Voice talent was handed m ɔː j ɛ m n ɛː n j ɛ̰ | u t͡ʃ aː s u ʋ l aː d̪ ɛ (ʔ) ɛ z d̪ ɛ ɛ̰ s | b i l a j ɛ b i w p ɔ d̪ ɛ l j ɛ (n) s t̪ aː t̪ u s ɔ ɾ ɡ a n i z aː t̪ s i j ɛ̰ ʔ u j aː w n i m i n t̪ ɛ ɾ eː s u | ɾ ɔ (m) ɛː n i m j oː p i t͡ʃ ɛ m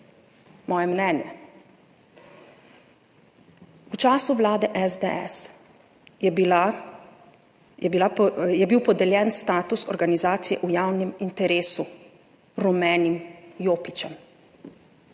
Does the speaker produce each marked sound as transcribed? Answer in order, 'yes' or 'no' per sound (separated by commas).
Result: yes, yes, yes